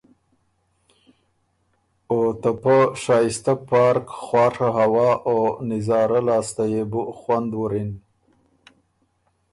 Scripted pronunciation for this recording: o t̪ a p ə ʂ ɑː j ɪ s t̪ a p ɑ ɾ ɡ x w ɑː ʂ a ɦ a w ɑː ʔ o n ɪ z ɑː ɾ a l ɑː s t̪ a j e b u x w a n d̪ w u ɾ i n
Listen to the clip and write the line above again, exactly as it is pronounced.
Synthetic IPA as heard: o t̪ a p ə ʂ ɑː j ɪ s t̪ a p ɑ ɾ k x w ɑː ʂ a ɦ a w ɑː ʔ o n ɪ z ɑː ɾ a l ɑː s t̪ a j e b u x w a n d̪ w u ɾ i n